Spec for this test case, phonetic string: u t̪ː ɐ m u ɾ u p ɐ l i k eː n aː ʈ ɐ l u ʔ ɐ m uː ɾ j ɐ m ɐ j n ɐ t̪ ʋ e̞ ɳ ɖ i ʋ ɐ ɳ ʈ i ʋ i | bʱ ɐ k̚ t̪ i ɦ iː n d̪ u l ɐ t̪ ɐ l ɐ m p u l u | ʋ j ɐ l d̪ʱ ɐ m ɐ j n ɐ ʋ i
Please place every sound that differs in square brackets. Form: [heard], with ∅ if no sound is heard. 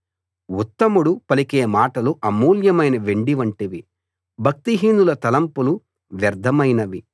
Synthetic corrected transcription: u t̪ː ɐ m u [ɽ] u p ɐ l i k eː [m] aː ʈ ɐ l u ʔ ɐ m uː [l] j ɐ m ɐ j n ɐ [∅] ʋ e̞ ɳ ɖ i ʋ ɐ ɳ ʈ i ʋ i | bʱ ɐ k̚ t̪ i ɦ iː n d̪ u l ɐ t̪ ɐ l ɐ m p u l u | ʋ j ɐ [ɾ] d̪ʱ ɐ m ɐ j n ɐ ʋ i